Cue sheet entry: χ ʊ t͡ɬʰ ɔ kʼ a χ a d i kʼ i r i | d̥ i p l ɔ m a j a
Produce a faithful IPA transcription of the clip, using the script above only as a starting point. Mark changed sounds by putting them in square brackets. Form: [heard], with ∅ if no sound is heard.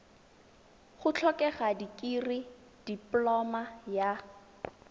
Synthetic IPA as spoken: χ ʊ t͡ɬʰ ɔ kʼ [ɛ] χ a d i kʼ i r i | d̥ i p l ɔ m a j a

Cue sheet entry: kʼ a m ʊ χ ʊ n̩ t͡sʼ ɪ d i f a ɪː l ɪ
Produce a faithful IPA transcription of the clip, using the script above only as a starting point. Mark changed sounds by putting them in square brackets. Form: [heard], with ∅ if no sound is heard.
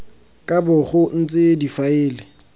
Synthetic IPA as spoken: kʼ a [b] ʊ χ ʊ n̩ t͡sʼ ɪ d i f a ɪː l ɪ

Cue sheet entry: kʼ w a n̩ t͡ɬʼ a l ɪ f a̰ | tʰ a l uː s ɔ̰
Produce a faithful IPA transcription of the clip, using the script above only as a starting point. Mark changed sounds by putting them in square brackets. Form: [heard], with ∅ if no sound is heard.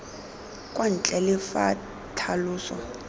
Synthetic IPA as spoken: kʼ w a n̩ t͡ɬʼ [ɛ] l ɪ f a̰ | tʰ a l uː s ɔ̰

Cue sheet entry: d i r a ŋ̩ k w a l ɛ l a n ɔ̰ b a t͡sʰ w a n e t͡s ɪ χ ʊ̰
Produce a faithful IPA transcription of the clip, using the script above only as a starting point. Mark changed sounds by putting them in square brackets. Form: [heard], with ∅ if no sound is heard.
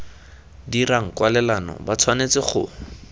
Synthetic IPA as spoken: d i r a ŋ̩ k w a l ɛ l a n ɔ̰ b a t͡sʰ w a n e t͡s ɪ χ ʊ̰

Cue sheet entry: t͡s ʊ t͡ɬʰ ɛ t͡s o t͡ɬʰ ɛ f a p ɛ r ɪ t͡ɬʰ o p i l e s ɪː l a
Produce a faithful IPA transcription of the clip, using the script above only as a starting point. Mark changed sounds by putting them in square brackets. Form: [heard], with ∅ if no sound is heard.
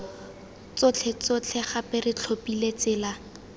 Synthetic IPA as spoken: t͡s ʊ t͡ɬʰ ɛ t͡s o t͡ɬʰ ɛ [χ] a p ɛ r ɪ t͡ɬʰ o p i l e [t͡s] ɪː l a

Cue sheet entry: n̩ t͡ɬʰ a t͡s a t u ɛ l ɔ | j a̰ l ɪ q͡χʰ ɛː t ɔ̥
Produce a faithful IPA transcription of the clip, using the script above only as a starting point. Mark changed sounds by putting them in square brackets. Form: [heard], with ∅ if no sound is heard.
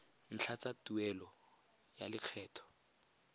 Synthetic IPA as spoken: n̩ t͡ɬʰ a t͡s a t u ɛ l ɔ | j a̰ l ɪ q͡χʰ ɛː [tʰ] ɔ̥

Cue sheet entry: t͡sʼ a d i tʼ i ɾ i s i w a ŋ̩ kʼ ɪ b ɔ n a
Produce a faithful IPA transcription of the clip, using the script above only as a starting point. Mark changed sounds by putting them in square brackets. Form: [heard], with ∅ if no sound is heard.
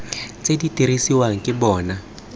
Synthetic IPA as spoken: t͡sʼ [e] d i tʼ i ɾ i s i w a ŋ̩ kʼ ɪ b [ɔː] n a

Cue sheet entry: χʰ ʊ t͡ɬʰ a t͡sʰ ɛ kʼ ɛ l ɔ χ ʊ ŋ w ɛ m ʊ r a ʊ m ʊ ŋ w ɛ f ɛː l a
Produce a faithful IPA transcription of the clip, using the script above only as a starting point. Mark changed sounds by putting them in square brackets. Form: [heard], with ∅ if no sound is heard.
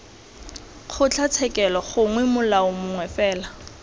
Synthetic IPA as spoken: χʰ ʊ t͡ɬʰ a t͡sʰ ɛ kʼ ɛ l ɔ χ ʊ ŋ w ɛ m ʊ [l] a ʊ m ʊ ŋ w ɛ f ɛː l a

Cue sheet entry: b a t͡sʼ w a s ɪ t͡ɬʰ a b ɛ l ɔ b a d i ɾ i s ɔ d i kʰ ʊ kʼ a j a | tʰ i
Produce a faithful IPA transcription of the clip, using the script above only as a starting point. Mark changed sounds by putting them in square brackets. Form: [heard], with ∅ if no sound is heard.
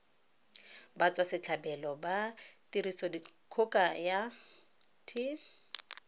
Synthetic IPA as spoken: b a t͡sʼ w a s ɪ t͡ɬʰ a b ɛ l ɔ b a [t] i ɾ i s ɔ d i kʰ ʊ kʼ a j a | tʰ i

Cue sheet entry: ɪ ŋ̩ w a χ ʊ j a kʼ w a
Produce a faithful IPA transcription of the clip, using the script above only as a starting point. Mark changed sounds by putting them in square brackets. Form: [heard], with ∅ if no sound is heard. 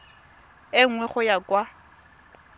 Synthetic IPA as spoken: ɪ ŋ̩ w [ɛ] χ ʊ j a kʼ w a

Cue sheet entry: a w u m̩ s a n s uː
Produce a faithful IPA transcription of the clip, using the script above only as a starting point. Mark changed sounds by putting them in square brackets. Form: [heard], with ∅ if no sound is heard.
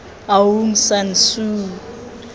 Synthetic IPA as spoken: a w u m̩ s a n s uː

